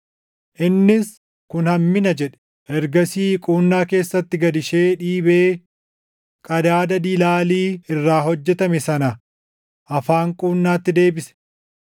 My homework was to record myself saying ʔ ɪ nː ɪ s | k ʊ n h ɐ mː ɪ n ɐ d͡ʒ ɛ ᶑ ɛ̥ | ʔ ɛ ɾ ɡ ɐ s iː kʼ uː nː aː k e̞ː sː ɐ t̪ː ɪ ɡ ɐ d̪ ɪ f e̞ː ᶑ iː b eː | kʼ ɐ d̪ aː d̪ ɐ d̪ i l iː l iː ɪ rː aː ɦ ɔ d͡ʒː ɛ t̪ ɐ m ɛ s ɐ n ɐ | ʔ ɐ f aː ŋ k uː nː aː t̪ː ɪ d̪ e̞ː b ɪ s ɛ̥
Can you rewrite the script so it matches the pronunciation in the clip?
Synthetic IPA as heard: ʔ ɪ nː ɪ s | k ʊ n h ɐ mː ɪ n ɐ d͡ʒ ɛ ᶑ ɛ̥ | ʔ ɛ ɾ ɡ ɐ s iː kʼ uː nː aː k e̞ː sː ɐ t̪ː ɪ ɡ ɐ d̪ ɪ ʃ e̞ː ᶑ iː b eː | kʼ ɐ d̪ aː d̪ ɐ d̪ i l aː l iː ɪ rː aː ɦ ɔ d͡ʒː ɛ t̪ ɐ m ɛ s ɐ n ɐ | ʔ ɐ f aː ŋ kʼ uː nː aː t̪ː ɪ d̪ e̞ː b ɪ s ɛ̥